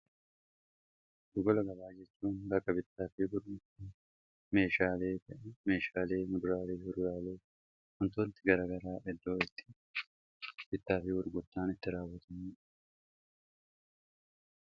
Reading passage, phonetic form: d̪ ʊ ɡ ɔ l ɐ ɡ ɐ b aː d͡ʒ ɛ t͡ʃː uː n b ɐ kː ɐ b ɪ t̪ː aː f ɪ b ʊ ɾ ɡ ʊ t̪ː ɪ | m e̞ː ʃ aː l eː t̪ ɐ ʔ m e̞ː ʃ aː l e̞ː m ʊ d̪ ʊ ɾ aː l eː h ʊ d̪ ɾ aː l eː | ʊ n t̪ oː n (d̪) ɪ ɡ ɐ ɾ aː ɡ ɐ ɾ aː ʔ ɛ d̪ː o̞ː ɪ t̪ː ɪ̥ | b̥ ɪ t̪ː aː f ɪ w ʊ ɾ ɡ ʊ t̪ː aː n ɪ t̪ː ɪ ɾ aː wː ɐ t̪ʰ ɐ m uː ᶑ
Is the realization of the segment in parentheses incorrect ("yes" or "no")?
yes